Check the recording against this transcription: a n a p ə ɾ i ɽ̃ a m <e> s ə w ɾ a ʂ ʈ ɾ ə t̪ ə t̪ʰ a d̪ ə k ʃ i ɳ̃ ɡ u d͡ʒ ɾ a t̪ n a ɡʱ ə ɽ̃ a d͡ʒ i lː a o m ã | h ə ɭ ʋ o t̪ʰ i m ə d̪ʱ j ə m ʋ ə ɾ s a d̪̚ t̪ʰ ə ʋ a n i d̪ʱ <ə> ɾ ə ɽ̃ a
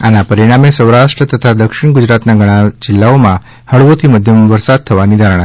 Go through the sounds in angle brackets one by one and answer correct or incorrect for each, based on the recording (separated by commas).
correct, incorrect